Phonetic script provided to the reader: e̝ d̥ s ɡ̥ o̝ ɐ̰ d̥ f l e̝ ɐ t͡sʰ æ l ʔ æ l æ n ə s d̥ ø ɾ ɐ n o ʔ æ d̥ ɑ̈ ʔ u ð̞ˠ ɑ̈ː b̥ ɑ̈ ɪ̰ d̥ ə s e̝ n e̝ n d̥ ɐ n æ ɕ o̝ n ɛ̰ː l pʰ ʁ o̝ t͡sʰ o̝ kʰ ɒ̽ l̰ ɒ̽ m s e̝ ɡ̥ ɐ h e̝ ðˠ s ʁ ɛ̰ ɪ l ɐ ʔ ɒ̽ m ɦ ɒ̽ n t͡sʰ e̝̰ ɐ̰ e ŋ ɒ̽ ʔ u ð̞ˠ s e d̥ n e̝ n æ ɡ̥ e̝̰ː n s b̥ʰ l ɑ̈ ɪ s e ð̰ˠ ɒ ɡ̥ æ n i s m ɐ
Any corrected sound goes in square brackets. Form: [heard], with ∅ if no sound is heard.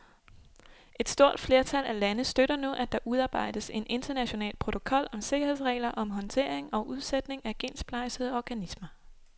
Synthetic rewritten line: e̝ d̥ s [d̥] o̝ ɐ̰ d̥ f l e̝ ɐ t͡sʰ æ l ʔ æ l æ n ə s d̥ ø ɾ ɐ n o ʔ æ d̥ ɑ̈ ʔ u ð̞ˠ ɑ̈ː b̥ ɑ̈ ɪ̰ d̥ ə s e̝ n e̝ n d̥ ɐ n æ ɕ o̝ n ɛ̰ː l pʰ ʁ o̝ t͡sʰ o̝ kʰ ɒ̽ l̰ ɒ̽ m s e̝ ɡ̥ ɐ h e̝ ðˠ s ʁ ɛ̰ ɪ l ɐ ʔ ɒ̽ m ɦ ɒ̽ n t͡sʰ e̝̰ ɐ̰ e ŋ ɒ̽ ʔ u ð̞ˠ s e d̥ n e̝ [ŋ] æ ɡ̥ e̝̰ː n s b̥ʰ l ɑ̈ ɪ s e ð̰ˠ ɒ ɡ̥ æ n i s m ɐ